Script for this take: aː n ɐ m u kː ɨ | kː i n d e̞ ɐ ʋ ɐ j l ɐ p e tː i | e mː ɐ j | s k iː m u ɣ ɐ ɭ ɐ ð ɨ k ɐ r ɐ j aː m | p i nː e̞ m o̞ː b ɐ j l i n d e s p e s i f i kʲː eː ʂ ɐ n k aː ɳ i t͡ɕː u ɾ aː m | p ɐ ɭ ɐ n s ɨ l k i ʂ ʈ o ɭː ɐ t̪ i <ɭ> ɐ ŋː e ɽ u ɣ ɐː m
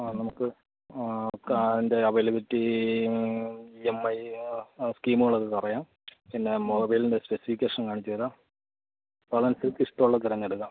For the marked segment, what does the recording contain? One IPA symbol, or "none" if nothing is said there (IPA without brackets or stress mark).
ɾ